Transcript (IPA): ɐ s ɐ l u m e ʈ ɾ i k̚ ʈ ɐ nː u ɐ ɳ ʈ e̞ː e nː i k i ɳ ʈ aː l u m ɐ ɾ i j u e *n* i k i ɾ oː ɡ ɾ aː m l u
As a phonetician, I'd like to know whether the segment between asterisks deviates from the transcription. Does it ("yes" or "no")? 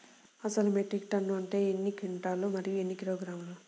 yes